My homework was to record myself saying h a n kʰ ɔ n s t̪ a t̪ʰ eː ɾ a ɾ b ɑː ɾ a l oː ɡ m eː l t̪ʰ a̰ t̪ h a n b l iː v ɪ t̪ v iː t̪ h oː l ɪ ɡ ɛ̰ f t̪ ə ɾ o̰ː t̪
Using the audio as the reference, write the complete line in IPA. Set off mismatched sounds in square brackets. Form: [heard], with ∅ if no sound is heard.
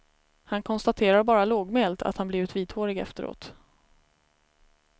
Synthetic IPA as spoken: h a n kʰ ɔ n s t̪ a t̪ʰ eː ɾ a ɾ b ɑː ɾ a l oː ɡ m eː l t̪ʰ a̰ t̪ h a n b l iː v ɪ t̪ v iː t̪ h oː [ɾ] ɪ ɡ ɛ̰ f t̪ ə ɾ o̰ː t̪